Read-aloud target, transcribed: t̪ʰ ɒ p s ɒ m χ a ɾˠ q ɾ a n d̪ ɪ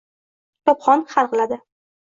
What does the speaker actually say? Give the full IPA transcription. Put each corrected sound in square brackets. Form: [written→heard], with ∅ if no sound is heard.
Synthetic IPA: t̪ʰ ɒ p [s→χ] ɒ [m→n] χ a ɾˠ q [ɾ→l] a [n→∅] d̪ ɪ

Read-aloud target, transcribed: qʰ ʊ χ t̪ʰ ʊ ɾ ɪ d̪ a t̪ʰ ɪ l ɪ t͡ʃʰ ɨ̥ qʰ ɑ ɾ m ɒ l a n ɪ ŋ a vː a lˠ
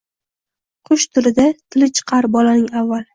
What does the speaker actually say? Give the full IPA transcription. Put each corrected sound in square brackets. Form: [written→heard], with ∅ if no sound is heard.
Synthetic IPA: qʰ ʊ [χ→ʃ] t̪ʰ ʊ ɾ ɪ d̪ a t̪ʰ ɪ l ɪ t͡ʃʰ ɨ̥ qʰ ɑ ɾ [m→b] ɒ l a n ɪ ŋ a vː a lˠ

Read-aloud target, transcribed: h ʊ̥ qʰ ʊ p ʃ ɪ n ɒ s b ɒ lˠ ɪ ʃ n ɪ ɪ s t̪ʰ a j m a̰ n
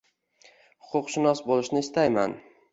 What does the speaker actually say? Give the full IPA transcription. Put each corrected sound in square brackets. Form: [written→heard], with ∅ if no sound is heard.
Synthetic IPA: h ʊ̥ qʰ ʊ [p→q] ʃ ɪ n ɒ s b [ɒ→o] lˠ ɪ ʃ n ɪ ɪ s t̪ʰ a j m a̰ n

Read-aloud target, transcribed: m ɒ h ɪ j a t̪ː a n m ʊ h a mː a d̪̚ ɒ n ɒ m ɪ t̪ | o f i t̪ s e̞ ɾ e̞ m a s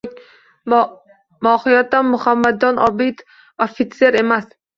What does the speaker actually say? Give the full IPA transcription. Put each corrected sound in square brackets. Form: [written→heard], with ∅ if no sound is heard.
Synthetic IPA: m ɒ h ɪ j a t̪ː a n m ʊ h a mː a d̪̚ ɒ n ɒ [m→b] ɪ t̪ | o f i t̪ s e̞ ɾ e̞ m a s

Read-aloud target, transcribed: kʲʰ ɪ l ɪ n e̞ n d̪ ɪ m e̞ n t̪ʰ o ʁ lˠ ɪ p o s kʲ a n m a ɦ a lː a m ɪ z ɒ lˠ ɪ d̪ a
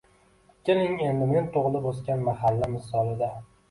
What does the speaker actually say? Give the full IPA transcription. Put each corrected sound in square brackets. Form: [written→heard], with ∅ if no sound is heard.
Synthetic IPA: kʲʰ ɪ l ɪ [n→ŋ] e̞ n d̪ ɪ m e̞ n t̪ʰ o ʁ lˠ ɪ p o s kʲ a n m a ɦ a lː a m ɪ [z→s] ɒ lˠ ɪ d̪ a

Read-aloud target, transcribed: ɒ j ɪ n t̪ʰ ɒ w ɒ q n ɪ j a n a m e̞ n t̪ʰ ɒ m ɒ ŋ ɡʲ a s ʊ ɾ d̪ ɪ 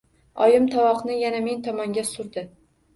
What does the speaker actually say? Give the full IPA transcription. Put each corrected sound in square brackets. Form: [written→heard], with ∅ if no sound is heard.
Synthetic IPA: ɒ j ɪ [n→m] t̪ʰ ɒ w ɒ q n ɪ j a n a m e̞ n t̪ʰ ɒ m ɒ ŋ ɡʲ a s ʊ ɾ d̪ ɪ

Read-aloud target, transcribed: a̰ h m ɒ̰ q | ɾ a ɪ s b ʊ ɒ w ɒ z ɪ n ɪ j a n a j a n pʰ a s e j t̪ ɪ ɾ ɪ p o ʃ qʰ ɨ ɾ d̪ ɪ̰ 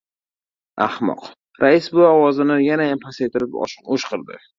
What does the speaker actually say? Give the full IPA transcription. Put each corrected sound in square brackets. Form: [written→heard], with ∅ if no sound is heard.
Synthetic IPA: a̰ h m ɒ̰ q | ɾ a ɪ s b ʊ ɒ w ɒ z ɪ n ɪ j a n a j a [n→m] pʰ a s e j t̪ ɪ ɾ ɪ p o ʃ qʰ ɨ ɾ d̪ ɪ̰

